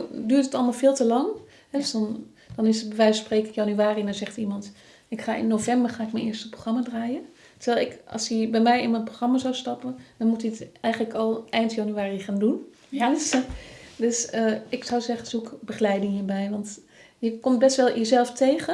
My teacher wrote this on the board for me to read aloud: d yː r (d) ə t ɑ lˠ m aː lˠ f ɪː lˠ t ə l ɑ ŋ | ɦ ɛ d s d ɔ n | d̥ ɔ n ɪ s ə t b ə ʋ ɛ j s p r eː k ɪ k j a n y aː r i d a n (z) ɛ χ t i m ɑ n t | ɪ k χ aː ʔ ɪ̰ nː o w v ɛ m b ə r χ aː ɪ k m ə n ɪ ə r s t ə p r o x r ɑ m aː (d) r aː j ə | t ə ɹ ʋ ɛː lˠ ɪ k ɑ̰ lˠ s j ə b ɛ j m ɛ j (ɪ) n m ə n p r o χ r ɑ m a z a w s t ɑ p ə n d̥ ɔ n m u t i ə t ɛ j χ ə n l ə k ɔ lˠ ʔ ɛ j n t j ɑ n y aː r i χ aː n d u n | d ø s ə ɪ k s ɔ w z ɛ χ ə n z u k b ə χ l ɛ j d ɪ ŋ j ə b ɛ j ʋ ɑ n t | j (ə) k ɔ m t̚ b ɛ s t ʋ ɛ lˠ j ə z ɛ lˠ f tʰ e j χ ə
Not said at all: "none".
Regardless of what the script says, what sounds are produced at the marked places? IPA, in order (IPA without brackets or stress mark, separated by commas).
t, z, d, ɪ, ə